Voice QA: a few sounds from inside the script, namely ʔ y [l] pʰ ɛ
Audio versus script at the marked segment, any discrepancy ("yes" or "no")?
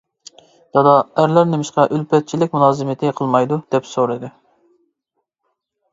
no